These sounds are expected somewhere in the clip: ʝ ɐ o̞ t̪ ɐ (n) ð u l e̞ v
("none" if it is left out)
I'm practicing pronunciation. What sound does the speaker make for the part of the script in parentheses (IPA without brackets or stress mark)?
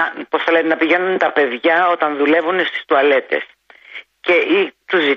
n